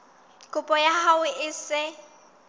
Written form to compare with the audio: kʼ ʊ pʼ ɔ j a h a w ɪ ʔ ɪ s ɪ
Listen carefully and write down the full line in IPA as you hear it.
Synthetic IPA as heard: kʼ ʊ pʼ ɔ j a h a w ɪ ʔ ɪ s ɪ